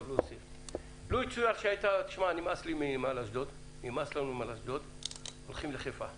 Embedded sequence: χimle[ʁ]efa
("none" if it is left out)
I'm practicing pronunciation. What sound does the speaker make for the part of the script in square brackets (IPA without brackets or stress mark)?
χ